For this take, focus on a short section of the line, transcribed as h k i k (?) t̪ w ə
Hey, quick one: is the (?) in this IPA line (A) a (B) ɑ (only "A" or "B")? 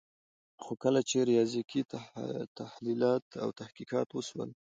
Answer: B